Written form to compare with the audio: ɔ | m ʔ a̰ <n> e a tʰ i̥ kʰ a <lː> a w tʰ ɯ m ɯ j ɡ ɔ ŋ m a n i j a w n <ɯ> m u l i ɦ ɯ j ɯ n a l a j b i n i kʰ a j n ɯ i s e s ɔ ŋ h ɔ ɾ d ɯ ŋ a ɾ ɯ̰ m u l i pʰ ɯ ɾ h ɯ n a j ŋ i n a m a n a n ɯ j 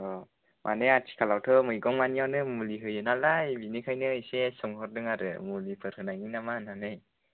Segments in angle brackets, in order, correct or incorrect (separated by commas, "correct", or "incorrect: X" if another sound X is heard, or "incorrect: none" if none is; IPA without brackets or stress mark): correct, incorrect: l, correct